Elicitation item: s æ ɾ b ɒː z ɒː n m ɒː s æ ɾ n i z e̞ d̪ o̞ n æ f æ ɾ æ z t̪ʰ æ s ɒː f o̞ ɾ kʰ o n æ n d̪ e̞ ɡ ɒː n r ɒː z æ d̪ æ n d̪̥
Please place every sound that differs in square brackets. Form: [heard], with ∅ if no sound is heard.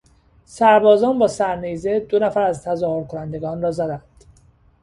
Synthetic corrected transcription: s æ ɾ b ɒː z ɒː n [b] ɒː s æ ɾ n i z e̞ d̪ o̞ n æ f æ ɾ æ z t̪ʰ æ [z] ɒː [h] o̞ ɾ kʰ o n æ n d̪ e̞ ɡ ɒː n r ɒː z æ d̪ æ n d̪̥